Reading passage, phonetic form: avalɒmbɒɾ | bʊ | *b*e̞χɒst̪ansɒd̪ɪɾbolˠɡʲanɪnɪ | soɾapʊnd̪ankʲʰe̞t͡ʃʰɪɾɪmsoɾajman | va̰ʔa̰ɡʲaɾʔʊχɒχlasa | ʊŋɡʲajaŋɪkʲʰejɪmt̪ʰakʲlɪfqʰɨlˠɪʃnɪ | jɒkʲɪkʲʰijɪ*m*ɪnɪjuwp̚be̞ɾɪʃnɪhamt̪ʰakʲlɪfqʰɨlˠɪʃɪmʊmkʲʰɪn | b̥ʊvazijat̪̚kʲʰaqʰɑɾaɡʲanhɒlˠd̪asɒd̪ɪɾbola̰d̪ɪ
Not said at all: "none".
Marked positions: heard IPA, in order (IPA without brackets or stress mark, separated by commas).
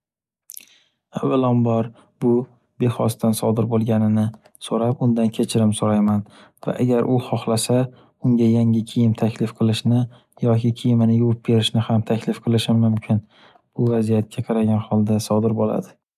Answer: b, m